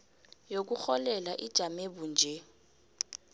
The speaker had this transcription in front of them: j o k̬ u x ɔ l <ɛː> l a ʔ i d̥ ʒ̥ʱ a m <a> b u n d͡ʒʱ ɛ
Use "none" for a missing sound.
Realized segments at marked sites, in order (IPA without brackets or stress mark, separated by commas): ɛ, e